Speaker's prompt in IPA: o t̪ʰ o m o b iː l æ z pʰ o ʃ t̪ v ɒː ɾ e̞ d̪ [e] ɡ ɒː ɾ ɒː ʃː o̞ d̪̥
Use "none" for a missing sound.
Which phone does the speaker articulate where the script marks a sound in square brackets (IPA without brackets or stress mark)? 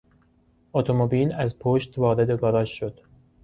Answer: e